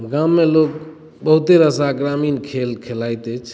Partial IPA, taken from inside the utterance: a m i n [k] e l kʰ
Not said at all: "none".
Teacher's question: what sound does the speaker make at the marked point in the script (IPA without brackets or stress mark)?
kʰ